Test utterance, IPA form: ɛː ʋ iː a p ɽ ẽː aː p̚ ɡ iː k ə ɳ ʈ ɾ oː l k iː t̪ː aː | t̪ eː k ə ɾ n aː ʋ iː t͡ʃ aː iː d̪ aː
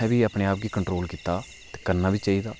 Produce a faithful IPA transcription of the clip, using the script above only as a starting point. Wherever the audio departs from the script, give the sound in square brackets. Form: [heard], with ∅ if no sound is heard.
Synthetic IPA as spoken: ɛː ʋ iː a p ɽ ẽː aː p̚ ɡ iː k ə ɳ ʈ ɾ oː l k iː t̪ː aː | t̪ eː k ə ɾ n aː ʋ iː t͡ʃ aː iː d̪ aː